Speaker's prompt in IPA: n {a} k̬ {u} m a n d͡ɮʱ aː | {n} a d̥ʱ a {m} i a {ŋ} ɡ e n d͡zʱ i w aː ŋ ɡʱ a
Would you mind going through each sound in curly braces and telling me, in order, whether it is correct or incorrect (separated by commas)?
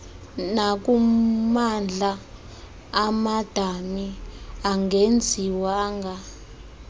correct, correct, incorrect, correct, correct